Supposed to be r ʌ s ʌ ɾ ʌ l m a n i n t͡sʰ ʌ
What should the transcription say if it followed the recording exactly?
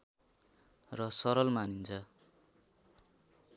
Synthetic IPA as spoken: r ʌ s ʌ ɾ ʌ l m a n i n t͡sʰ ʌ